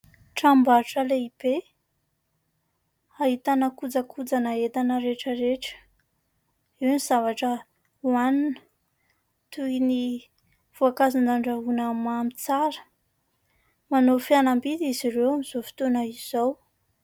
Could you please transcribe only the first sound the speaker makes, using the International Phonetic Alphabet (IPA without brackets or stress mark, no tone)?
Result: ʈ͡ʂ